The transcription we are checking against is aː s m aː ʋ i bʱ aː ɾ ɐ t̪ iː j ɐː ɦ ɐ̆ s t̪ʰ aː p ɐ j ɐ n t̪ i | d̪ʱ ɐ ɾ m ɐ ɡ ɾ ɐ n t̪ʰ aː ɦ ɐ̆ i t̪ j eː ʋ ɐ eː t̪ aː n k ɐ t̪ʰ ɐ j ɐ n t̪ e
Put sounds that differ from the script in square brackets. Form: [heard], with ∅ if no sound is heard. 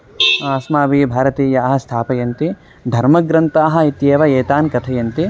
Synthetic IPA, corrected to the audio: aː s m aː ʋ i bʱ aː ɾ ɐ t̪ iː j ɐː ɦ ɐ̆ s t̪ʰ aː p ɐ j ɐ n t̪ i | d̪ʱ ɐ ɾ m ɐ ɡ ɾ ɐ n [t̪] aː ɦ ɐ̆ i t̪ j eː ʋ ɐ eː t̪ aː n k ɐ t̪ʰ ɐ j ɐ n t̪ [i]